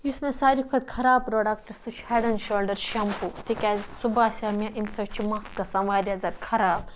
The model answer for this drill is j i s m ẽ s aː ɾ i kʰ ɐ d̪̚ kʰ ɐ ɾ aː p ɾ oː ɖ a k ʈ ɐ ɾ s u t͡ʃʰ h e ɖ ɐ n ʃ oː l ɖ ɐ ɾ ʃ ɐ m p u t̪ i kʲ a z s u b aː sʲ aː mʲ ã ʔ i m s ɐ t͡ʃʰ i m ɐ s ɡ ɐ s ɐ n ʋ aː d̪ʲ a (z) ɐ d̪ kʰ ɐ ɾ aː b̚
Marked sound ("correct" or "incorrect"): correct